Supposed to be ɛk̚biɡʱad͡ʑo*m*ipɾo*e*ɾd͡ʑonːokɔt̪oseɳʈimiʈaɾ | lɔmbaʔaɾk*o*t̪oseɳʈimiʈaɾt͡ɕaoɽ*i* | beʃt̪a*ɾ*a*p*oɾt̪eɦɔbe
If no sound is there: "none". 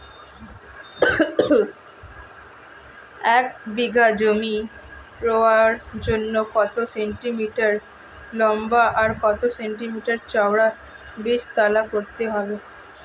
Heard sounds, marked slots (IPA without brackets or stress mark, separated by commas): m, a, ɔ, a, l, k